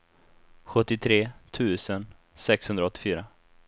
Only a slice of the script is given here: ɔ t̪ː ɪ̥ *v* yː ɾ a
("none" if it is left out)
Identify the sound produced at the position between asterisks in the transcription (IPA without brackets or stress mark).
f